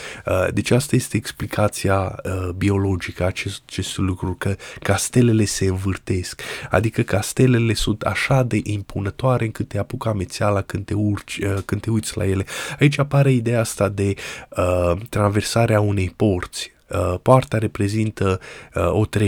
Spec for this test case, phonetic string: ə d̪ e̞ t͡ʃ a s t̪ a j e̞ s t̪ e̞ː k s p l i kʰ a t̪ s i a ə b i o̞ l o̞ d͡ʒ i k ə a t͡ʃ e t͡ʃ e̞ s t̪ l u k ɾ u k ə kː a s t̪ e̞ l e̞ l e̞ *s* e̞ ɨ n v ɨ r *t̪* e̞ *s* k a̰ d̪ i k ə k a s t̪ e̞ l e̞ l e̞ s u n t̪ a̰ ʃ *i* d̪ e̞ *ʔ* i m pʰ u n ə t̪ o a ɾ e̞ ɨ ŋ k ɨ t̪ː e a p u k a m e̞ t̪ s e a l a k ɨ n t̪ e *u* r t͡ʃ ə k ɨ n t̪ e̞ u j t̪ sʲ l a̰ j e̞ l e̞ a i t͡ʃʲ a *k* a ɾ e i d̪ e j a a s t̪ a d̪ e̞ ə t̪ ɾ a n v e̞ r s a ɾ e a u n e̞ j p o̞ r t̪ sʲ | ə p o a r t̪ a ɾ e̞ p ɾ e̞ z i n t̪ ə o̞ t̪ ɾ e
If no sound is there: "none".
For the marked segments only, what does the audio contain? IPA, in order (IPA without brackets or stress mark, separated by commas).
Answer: s, t̪, s, a, ʔ, u, p